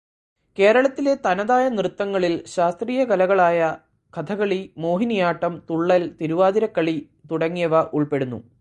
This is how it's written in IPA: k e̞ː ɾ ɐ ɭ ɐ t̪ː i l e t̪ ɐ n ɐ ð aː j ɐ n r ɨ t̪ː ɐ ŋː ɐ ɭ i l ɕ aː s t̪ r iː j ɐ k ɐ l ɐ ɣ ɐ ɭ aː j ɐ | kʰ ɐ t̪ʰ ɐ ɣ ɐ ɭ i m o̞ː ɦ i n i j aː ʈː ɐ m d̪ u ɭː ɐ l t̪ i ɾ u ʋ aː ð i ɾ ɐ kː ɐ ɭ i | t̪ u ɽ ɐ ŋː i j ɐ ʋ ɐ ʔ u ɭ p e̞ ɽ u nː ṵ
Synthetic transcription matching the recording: k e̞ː ɾ ɐ ɭ ɐ t̪ː i l e t̪ ɐ n ɐ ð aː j ɐ n r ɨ t̪ː ɐ ŋː ɐ ɭ i l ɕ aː s t̪ r iː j ɐ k ɐ l ɐ ɣ ɐ ɭ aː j ɐ | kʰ ɐ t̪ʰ ɐ ɣ ɐ ɭ i m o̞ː ɦ i n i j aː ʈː ɐ m t̪ u ɭː ɐ l t̪ i ɾ u ʋ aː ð i ɾ ɐ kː ɐ ɭ i | t̪ u ɽ ɐ ŋː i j ɐ ʋ ɐ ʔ u ɭ p e̞ ɽ u nː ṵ